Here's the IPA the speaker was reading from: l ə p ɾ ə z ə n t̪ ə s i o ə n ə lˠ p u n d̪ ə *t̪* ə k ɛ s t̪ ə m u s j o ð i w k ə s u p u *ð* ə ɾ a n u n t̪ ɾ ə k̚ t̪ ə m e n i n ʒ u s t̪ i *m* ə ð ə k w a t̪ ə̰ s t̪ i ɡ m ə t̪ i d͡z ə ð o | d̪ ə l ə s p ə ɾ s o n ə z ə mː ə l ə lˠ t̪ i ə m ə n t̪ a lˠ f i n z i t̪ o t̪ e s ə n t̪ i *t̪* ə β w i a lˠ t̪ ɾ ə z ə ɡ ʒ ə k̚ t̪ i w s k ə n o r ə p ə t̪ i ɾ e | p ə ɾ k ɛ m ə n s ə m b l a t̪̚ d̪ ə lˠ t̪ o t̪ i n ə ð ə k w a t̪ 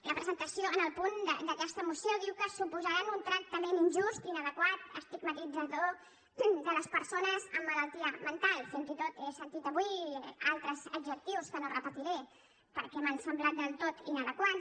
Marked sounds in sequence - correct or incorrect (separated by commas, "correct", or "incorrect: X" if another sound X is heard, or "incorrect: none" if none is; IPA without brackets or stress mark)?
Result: incorrect: d̪, incorrect: z, incorrect: n, correct